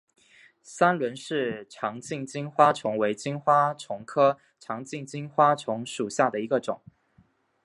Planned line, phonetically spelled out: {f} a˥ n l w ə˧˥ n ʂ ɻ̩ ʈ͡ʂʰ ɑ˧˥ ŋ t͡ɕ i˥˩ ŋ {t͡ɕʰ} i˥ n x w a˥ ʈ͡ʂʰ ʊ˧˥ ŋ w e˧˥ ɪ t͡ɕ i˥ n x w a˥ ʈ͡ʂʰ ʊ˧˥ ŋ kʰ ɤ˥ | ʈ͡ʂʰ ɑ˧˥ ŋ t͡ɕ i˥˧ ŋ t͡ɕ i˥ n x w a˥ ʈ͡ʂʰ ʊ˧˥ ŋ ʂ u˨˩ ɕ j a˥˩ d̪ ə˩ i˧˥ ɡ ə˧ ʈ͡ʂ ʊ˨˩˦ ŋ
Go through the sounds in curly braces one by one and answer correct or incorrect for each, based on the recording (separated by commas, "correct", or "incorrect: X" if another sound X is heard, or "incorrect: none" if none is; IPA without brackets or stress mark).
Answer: incorrect: s, incorrect: t͡ɕ